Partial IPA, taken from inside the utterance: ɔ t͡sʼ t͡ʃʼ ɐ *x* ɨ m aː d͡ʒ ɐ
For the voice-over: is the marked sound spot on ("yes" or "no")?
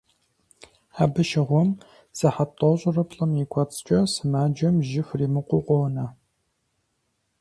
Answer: no